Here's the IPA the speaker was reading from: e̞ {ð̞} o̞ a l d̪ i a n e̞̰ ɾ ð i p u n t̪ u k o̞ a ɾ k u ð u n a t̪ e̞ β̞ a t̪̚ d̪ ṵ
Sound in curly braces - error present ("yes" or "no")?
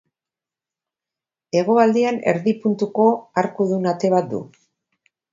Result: yes